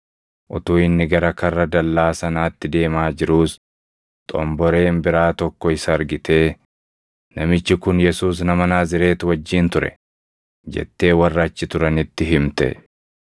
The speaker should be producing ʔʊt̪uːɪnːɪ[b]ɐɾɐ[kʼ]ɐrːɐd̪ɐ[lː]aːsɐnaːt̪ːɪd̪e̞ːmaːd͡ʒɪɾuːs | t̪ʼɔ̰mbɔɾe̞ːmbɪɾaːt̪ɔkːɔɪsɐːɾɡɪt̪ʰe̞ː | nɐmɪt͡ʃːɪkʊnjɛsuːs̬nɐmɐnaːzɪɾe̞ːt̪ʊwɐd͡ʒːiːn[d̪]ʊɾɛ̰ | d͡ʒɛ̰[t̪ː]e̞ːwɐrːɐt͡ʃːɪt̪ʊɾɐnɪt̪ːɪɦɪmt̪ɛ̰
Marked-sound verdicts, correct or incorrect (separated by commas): incorrect, incorrect, correct, incorrect, correct